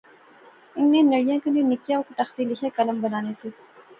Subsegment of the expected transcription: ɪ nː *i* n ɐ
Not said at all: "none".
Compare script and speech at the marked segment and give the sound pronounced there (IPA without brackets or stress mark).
e